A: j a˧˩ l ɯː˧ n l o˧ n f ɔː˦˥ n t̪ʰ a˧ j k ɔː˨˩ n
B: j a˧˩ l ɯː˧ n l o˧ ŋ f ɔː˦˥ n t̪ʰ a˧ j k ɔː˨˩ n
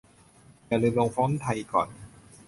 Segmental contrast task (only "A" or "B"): B